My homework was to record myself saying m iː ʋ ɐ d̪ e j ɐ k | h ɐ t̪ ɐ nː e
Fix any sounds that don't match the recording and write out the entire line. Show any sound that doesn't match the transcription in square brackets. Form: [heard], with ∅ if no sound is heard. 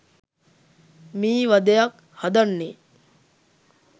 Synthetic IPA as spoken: m iː ʋ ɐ d̪ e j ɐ k | h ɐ [d̪] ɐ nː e

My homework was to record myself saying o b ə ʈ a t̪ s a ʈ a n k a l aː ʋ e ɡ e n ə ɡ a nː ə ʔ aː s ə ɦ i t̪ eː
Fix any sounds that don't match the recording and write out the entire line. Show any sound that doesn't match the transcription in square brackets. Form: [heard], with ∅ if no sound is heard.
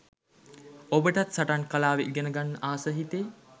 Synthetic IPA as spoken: o b ə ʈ a t̪ s a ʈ a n k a l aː ʋ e ɡ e n ə ɡ a nː ə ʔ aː s ə ɦ i t̪ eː

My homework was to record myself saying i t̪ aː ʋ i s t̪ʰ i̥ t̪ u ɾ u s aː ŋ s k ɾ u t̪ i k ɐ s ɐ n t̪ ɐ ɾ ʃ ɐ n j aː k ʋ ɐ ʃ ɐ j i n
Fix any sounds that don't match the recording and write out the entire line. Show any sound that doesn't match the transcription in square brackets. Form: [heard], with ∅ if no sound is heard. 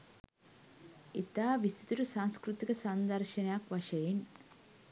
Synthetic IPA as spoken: i t̪ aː ʋ i s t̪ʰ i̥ t̪ u ɾ u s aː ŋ s k ɾ u t̪ i k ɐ s ɐ n [d̪] ɐ ɾ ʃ ɐ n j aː k ʋ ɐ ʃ ɐ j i n

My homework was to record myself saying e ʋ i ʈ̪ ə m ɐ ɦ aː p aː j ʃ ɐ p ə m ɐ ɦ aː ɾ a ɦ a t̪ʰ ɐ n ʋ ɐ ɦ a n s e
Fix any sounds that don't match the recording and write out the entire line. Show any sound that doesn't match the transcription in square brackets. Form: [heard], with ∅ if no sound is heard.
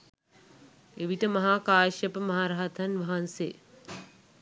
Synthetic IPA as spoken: e ʋ i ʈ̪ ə m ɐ ɦ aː [k] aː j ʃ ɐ p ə m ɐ ɦ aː ɾ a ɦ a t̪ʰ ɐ n ʋ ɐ ɦ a n s e

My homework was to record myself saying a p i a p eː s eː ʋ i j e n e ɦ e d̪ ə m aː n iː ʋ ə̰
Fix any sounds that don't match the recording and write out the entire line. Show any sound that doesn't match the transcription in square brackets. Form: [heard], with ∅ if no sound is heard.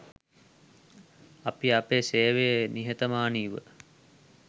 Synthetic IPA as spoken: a p i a p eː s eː ʋ [e] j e n [i] ɦ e [t̪] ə m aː n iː ʋ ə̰

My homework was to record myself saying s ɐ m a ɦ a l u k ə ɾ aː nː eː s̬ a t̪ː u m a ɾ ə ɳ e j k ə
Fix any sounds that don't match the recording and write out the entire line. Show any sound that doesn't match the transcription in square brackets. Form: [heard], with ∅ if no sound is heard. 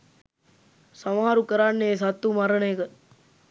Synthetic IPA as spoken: s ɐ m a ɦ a [ɾ] u k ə ɾ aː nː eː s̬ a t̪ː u m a ɾ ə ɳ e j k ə

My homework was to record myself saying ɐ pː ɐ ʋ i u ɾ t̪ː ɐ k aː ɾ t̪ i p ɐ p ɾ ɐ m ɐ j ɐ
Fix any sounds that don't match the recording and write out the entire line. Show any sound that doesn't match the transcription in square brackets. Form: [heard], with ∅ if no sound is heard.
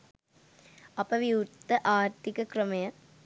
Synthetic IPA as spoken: ɐ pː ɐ ʋ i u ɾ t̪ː ɐ [ʔ] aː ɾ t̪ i [k] ɐ [k] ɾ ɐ m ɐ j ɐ

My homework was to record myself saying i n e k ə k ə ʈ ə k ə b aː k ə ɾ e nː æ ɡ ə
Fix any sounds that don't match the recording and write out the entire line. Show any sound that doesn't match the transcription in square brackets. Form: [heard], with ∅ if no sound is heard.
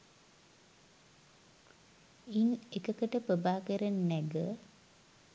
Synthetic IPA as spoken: i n e k ə k ə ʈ ə [p] ə b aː k ə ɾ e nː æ ɡ ə

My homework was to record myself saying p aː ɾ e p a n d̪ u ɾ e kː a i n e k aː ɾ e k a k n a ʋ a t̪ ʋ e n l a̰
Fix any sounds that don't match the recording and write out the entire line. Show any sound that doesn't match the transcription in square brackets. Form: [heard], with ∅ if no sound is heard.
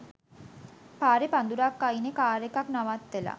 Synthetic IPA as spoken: p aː ɾ e p a n d̪ u ɾ [a] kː a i n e k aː ɾ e k a k n a ʋ a t̪ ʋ e [∅] l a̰

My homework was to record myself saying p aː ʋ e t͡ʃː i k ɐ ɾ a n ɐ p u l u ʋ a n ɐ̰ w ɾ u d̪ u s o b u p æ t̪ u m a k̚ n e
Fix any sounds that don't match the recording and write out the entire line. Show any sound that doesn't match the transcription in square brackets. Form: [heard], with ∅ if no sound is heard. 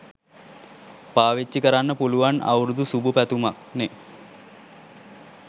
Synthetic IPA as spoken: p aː ʋ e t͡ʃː i k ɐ ɾ a [nː] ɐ p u l u ʋ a n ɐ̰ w ɾ u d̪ u s [u] b u p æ t̪ u m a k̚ n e

